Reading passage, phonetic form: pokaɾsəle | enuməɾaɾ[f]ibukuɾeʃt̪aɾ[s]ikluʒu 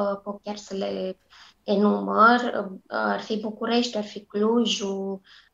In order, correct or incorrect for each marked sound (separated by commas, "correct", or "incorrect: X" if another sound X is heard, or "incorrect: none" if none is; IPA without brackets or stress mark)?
correct, incorrect: f